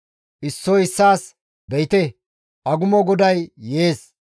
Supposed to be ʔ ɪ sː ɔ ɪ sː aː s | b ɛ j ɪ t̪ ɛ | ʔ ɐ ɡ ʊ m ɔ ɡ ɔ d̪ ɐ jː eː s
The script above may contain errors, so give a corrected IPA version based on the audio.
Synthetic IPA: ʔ ɪ sː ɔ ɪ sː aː s | b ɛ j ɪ t̪ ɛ | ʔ ɐ ɡ ʊ m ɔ ɡ ɔ d̪ ɐ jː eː s